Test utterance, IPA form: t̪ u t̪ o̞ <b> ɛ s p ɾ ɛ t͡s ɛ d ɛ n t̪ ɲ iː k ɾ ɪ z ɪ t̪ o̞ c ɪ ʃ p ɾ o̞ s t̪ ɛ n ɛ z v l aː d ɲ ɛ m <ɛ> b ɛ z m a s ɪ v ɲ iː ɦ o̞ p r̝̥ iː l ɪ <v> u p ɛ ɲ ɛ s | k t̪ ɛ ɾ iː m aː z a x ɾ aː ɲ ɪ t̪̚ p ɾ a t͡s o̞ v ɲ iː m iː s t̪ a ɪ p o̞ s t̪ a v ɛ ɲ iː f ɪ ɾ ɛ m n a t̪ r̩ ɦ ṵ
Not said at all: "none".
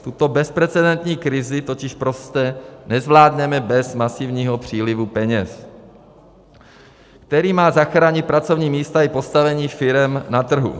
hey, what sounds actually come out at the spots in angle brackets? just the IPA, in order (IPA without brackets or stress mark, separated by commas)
b, ɛ, v